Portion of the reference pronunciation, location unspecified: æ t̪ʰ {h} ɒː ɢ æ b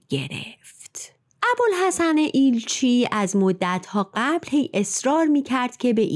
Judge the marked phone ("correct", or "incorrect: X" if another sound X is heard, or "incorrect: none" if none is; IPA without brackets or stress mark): correct